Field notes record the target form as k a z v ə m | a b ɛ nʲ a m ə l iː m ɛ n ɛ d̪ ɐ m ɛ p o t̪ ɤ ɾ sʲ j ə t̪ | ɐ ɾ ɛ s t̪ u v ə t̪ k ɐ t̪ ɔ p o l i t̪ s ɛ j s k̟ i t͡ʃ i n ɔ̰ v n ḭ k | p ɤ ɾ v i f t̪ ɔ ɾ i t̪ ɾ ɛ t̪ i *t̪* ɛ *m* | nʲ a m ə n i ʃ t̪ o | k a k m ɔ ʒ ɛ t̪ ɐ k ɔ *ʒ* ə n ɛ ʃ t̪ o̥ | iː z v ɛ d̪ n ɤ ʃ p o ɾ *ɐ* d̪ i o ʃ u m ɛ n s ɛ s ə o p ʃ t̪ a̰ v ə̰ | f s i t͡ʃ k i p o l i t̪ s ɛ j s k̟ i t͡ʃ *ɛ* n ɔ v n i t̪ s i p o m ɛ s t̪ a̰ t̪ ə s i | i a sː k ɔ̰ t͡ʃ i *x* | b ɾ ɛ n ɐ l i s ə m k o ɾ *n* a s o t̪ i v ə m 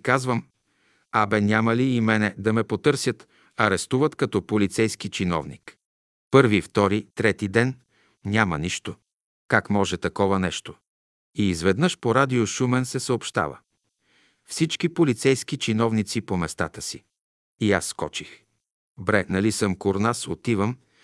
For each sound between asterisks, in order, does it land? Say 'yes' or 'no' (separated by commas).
no, no, no, no, no, yes, yes